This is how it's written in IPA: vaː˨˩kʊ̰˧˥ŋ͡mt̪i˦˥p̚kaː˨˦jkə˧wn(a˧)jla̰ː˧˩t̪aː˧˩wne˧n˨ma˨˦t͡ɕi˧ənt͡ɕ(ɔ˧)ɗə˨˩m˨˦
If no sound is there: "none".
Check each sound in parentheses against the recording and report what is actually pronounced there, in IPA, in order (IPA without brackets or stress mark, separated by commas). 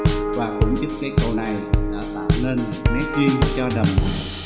a˨˩, ɔ˧